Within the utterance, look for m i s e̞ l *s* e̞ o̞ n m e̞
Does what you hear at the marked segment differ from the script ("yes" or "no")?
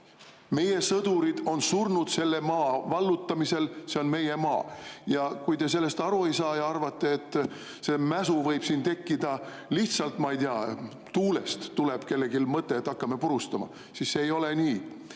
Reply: no